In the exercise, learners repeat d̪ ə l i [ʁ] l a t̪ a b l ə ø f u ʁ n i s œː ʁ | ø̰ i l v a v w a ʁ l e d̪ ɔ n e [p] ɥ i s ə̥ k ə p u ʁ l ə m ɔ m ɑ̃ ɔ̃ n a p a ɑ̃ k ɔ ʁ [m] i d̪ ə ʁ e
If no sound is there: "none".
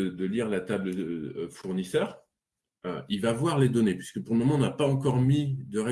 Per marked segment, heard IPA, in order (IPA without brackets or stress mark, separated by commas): ʁ, p, m